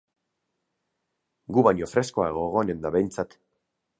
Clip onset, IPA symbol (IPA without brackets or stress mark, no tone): ɡ